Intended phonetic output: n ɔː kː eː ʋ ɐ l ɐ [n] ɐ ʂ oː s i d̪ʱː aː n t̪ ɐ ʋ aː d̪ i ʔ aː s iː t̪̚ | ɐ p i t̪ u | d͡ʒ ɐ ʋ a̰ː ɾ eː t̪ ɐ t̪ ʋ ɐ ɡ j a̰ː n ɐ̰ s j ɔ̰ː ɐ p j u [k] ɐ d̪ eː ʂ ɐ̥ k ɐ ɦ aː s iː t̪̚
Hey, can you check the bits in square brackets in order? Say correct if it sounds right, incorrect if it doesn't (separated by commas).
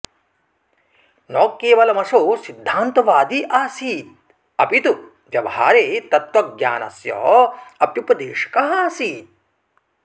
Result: incorrect, incorrect